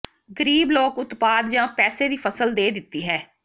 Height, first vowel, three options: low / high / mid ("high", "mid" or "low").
mid